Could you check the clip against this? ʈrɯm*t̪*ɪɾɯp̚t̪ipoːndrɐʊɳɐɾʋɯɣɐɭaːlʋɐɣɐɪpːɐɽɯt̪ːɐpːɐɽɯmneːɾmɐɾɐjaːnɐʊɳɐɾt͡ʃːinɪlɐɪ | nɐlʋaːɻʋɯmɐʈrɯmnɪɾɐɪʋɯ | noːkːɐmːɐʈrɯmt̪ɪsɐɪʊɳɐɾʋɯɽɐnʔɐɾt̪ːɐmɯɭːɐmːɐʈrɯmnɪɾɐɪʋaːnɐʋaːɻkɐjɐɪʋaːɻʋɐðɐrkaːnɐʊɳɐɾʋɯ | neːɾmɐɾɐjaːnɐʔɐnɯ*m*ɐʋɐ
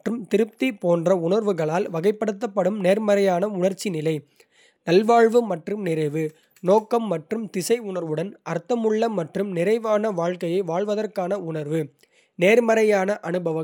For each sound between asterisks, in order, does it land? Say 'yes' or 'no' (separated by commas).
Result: yes, no